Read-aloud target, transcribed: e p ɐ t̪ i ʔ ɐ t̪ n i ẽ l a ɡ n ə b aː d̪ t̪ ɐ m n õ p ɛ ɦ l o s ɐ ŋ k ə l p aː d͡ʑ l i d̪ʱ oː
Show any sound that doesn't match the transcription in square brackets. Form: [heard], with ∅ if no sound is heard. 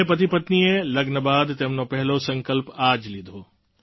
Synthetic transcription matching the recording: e p ɐ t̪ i [p] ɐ t̪ n i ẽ l [ɐ] ɡ n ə b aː d̪ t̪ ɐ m n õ p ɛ ɦ l o s [ɐ̃] ŋ k ə l p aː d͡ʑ l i d̪ʱ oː